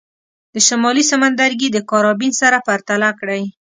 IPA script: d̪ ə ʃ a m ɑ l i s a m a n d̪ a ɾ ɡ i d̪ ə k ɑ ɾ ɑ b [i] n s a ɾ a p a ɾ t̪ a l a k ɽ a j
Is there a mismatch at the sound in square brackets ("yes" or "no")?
no